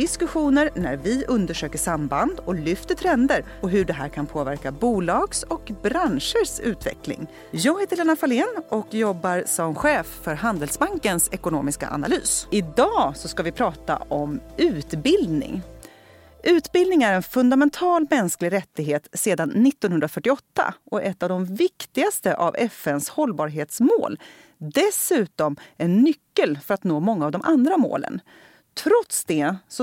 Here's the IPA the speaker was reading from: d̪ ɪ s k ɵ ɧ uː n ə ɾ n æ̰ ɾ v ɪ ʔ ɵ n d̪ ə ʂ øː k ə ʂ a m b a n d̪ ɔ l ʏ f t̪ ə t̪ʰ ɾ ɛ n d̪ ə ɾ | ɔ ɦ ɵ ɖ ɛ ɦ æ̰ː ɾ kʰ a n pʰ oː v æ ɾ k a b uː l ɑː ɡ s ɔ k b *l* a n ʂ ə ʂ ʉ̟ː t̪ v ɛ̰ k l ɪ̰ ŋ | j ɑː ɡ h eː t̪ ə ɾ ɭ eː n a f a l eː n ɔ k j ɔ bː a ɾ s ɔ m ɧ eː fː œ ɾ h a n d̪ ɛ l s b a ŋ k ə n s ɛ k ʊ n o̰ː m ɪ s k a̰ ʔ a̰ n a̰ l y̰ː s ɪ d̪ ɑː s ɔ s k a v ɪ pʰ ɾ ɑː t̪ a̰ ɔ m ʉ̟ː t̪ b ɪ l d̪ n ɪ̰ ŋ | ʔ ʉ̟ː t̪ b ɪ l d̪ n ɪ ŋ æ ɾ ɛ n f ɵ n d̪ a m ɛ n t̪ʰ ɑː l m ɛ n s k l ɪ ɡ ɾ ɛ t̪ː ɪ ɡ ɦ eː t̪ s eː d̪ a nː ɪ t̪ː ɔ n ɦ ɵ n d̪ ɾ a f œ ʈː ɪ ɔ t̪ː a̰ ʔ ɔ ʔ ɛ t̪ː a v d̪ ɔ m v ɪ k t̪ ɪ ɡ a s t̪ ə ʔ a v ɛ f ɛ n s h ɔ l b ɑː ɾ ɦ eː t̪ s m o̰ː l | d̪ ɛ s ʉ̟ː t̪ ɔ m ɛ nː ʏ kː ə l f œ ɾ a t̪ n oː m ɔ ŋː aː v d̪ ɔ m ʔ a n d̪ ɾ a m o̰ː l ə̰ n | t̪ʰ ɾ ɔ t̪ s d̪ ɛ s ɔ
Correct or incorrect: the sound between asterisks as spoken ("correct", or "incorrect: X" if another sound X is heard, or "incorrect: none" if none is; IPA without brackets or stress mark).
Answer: incorrect: ɾ